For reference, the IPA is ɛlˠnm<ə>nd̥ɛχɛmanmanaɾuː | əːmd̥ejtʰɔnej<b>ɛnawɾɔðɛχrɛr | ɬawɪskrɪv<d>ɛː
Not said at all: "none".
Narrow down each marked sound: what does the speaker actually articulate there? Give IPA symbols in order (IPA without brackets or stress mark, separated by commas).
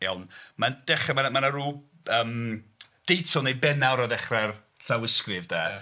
a, b, d